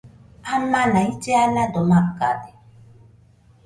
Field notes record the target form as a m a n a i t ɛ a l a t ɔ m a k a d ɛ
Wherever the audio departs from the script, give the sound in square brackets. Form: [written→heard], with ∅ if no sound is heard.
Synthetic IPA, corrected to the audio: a m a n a i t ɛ a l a [t→d] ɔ m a k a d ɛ